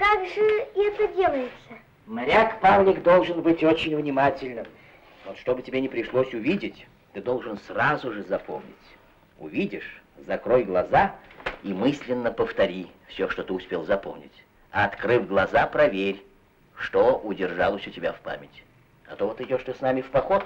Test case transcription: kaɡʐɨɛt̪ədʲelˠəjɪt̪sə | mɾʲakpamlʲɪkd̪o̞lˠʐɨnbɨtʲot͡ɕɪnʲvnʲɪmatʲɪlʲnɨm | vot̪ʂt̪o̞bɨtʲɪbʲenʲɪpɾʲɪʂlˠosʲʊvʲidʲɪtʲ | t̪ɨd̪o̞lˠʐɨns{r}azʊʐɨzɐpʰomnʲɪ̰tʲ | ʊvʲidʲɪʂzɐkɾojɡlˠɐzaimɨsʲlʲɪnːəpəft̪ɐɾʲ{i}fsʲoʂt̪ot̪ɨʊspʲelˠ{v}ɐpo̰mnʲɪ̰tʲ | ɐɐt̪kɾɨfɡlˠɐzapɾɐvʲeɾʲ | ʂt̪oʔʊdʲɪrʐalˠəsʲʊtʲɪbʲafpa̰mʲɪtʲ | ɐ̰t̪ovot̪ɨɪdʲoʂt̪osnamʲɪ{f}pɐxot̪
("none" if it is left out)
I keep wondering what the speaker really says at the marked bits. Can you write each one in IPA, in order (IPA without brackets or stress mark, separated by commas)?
r, i, z, f